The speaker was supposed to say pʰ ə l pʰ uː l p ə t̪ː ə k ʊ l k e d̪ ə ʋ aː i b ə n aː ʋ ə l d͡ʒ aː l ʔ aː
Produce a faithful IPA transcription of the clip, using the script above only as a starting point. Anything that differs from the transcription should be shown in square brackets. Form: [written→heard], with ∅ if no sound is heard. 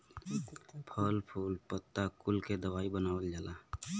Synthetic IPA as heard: pʰ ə l pʰ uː l p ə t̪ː [ə→a] k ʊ l k e d̪ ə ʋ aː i b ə n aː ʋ ə l d͡ʒ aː l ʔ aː